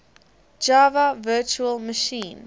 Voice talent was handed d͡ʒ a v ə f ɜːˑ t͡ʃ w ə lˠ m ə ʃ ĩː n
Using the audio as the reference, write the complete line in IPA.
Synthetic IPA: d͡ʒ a v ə v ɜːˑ t͡ʃ u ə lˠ m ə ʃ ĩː n